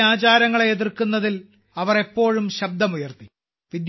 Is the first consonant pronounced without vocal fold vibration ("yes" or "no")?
yes